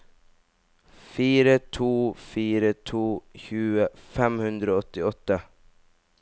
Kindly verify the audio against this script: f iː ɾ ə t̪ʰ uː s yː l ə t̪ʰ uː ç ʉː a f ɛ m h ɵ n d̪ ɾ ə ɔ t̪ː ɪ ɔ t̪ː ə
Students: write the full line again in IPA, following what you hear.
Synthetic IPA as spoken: f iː ɾ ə t̪ʰ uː f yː ɾ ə t̪ʰ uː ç ʉː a f ɛ m h ɵ n d̪ ɾ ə ɔ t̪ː ɪ ɔ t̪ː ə